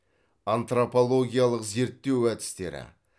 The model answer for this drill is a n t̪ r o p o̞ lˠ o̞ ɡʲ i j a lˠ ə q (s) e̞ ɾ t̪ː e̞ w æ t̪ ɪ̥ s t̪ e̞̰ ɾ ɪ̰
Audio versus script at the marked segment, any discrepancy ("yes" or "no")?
yes